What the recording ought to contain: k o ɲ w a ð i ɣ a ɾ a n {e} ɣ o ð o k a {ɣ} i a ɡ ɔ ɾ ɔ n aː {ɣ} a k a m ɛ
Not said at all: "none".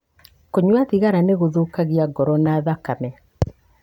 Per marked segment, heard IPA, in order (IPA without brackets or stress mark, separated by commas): e, ɣ, ð